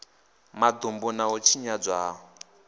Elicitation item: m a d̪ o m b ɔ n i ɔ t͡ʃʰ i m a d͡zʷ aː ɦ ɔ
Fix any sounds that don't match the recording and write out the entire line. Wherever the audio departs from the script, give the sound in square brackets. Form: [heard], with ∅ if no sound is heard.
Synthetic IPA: m a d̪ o m b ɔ n [a] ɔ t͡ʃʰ i [ɲ] a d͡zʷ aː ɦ ɔ